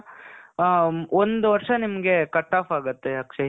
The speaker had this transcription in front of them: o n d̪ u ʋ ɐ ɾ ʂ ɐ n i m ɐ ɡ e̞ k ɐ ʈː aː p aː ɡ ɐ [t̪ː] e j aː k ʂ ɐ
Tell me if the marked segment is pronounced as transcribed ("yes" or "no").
yes